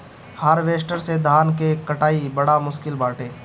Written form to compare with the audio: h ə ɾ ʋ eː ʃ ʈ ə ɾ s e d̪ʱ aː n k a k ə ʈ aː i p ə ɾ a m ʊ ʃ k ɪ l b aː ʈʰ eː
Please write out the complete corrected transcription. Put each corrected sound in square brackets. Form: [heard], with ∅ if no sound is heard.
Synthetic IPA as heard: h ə ɾ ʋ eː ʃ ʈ ə ɾ s e d̪ʱ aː n k [e] k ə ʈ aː i [b] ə [ɽ] a m ʊ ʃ k ɪ l b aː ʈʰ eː